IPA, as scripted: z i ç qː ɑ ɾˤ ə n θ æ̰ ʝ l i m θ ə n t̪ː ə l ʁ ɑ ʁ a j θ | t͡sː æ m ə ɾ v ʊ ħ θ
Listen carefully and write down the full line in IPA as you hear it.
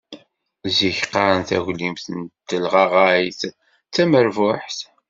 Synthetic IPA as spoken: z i ç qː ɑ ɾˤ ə n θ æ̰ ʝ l i m θ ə n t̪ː ə l ʁ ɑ ʁ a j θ | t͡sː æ m ə ɾ v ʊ ħ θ